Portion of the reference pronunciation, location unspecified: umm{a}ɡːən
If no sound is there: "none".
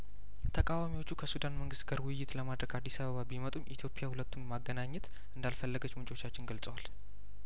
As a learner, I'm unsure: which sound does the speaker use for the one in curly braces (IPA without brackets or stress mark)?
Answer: a